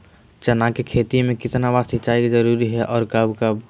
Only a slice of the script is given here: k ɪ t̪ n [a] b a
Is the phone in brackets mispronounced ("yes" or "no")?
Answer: no